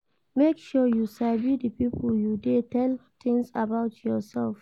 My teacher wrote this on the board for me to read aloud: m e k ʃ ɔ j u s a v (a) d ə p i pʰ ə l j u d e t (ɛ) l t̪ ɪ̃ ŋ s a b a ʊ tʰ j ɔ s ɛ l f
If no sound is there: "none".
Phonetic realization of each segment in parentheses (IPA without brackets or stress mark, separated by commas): i, ɛ